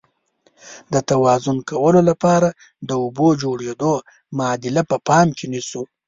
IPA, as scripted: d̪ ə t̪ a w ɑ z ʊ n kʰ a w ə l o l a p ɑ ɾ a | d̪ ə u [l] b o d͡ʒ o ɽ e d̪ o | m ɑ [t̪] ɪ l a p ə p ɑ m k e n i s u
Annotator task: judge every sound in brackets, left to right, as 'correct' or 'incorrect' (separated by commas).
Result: incorrect, incorrect